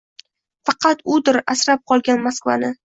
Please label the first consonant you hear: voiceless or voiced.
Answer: voiceless